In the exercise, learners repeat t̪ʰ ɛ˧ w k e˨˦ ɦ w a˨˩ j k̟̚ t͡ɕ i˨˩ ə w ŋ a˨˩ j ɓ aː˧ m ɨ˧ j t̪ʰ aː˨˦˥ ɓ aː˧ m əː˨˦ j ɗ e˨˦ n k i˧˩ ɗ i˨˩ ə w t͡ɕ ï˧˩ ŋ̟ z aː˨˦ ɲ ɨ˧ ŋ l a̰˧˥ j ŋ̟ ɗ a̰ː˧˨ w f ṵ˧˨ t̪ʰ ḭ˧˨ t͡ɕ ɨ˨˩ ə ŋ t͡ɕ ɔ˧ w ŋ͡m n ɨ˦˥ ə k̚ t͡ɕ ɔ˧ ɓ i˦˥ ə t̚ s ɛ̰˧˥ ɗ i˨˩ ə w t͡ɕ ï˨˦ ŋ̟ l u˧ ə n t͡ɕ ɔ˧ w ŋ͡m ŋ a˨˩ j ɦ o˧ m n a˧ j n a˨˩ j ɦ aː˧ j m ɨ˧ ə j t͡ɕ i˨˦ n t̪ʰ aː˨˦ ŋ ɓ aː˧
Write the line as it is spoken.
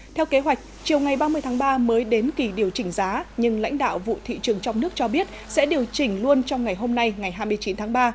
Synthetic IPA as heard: t̪ʰ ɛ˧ w k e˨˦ ɦ w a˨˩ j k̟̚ t͡ɕ i˨˩ ə w ŋ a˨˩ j ɓ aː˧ m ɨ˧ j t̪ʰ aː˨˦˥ ɓ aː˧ m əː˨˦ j ɗ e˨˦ n k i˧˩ ɗ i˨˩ ə w t͡ɕ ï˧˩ ŋ̟ z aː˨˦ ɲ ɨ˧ ŋ l a̰˧˥ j ŋ̟ ɗ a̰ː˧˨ w v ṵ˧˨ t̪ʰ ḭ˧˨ t͡ɕ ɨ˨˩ ə ŋ t͡ɕ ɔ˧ w ŋ͡m n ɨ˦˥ ə k̚ t͡ɕ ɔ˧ ɓ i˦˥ ə t̚ s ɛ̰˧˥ ɗ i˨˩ ə w t͡ɕ ï˧˩ ŋ̟ l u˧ ə n t͡ɕ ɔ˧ w ŋ͡m ŋ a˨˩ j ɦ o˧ m n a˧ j ŋ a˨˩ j ɦ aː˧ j m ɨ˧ ə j t͡ɕ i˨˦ n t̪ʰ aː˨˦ ŋ ɓ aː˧